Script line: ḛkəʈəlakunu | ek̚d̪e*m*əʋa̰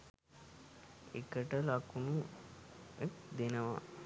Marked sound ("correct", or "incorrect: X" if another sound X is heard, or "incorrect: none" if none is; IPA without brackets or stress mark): incorrect: n